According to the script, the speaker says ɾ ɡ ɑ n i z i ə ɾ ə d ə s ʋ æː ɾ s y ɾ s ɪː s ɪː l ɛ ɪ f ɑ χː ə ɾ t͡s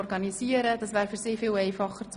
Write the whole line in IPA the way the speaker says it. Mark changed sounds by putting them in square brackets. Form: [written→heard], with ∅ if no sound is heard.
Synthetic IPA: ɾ ɡ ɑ n i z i ə ɾ ə d [ə→ɑ] s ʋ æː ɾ [s→f] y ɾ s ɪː [s→f] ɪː l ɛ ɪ f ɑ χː ə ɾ t͡s